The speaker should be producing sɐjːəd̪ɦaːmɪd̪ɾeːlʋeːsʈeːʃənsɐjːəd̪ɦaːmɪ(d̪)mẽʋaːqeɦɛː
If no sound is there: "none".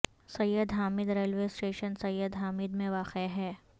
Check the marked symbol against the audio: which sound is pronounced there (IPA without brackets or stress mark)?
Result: d̪